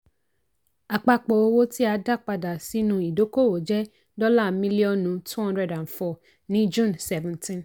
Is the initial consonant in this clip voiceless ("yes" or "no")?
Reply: yes